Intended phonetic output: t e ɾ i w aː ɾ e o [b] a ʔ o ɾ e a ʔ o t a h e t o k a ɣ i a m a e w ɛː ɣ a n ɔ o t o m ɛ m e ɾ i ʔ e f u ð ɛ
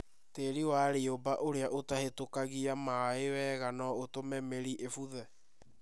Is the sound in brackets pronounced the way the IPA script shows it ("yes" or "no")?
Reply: yes